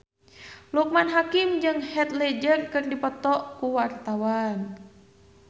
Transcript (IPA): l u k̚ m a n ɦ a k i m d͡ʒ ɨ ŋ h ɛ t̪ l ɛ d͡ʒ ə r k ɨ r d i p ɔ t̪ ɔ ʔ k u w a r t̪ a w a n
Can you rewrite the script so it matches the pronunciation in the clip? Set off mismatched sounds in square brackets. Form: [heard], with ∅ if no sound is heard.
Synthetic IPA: l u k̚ m a n ɦ a k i m d͡ʒ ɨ ŋ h ɛ t̪ l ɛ d͡ʒ ə r k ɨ r d i p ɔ t̪ ɔ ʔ k u w a r t̪ a w a n